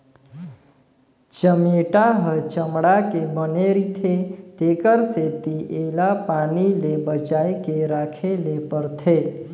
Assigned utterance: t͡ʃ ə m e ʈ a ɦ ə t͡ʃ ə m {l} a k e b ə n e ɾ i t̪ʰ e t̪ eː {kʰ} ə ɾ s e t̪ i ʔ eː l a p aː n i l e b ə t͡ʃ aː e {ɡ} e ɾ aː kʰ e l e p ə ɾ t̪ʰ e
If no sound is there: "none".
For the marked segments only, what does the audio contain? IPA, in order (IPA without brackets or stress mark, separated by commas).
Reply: ɽ, k, k